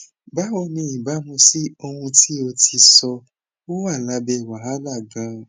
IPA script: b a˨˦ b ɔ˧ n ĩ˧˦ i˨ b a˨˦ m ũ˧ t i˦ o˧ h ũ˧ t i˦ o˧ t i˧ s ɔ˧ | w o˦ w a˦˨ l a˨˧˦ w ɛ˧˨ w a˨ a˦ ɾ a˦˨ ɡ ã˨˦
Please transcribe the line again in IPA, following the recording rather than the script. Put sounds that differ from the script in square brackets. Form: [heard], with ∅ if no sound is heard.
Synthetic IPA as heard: b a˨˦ [w] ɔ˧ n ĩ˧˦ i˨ b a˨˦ m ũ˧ [s] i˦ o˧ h ũ˧ t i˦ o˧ t i˧ s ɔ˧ | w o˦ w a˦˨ l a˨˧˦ [b] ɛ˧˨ w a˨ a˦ [l] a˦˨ ɡ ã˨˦